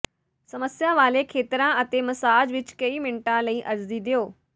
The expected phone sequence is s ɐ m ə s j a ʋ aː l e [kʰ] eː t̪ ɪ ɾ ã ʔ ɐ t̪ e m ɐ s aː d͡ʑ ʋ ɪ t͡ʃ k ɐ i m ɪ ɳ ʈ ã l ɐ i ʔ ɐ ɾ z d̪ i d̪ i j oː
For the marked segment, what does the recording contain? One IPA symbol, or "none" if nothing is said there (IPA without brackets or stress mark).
kʰ